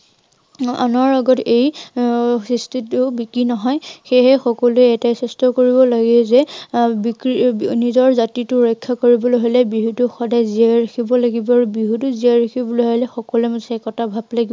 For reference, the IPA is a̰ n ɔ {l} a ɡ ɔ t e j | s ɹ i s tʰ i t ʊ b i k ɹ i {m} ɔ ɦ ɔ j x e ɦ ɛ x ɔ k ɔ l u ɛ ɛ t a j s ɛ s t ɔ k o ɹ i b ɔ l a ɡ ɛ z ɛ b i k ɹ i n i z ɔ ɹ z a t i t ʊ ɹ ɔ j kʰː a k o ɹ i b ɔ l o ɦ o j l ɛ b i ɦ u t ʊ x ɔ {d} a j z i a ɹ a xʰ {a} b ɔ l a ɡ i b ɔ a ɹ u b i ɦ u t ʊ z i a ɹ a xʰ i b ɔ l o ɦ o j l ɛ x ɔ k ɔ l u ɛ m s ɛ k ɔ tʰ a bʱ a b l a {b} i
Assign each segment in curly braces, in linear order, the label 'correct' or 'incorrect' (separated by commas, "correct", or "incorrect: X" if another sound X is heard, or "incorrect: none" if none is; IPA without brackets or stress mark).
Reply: incorrect: ɹ, incorrect: n, correct, incorrect: i, incorrect: ɡ